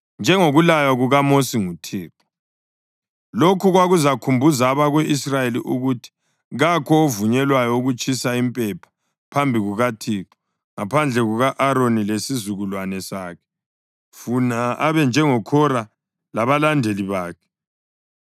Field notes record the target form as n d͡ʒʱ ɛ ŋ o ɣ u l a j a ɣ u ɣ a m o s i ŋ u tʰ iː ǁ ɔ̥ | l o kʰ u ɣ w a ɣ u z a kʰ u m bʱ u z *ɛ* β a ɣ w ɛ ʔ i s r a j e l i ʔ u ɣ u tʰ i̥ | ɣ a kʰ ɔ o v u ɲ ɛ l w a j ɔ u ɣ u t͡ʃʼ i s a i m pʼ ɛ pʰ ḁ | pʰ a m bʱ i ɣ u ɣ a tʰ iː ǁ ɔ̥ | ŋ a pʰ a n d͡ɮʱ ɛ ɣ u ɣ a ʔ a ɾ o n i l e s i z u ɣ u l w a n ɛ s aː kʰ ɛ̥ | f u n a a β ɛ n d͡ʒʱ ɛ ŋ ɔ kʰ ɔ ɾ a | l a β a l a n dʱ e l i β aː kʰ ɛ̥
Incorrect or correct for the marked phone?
incorrect: a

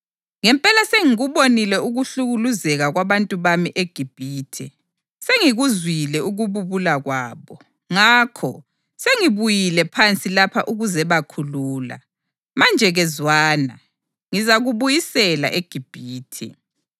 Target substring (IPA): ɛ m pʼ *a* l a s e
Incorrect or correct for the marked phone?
incorrect: ɛ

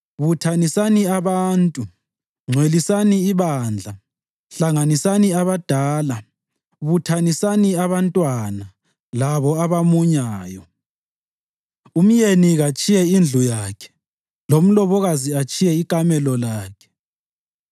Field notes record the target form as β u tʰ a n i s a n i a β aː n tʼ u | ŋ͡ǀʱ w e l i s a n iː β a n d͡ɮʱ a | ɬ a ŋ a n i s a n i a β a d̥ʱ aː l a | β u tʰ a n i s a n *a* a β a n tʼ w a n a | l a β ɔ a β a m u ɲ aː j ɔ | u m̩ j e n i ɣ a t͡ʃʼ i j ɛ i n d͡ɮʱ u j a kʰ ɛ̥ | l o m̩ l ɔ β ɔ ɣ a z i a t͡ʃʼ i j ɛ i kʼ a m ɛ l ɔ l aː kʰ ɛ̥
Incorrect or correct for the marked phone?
incorrect: i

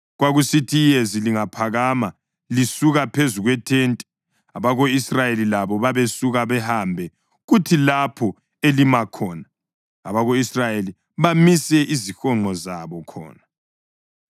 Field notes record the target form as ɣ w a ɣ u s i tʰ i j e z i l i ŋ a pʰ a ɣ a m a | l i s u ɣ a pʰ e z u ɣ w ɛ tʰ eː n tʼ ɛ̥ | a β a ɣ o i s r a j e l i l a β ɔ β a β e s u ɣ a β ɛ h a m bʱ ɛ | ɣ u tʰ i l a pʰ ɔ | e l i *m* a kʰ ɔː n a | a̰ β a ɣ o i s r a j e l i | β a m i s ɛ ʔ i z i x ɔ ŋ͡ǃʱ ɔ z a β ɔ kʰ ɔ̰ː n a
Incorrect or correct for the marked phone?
correct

